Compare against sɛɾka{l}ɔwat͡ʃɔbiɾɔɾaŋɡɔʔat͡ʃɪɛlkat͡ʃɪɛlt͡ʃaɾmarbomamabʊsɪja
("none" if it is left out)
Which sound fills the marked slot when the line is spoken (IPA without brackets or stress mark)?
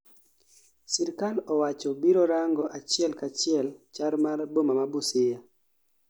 l